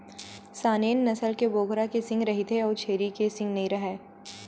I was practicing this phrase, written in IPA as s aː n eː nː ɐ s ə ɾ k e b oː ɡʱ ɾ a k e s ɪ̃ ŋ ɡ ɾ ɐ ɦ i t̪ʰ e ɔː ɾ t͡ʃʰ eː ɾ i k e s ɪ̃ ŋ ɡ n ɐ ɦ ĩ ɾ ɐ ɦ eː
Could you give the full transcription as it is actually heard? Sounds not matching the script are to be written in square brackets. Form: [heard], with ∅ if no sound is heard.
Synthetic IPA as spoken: s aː n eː nː ɐ s ə [l] k e b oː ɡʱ ɾ a k e s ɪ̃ ŋ ɡ ɾ ɐ ɦ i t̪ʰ e ɔː ɾ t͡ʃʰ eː ɾ i k e s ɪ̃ ŋ ɡ n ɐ ɦ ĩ ɾ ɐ ɦ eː